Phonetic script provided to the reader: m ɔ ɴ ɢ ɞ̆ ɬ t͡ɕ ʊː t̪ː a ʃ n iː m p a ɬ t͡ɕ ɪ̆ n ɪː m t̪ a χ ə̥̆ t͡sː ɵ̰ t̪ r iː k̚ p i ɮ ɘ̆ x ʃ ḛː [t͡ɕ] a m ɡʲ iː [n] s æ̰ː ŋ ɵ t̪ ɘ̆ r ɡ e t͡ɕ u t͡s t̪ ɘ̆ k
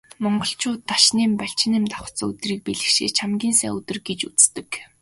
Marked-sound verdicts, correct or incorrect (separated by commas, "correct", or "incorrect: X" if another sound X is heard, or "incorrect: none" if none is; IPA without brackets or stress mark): incorrect: t͡ɕʰ, correct